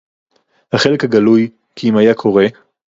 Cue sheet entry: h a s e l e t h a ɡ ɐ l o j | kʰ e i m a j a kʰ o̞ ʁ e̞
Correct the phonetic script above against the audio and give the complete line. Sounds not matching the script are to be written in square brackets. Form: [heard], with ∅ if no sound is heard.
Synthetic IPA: h a [χ] e l e [k] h a ɡ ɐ l [u] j | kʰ [i] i m a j a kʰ o̞ ʁ e̞